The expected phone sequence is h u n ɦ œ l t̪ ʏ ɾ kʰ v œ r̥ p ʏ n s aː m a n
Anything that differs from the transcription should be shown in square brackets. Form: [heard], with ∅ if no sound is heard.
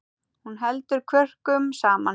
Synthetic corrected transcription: h u n ɦ [ɛ] l t̪ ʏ ɾ kʰ v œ r̥ [k] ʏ [m] s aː m a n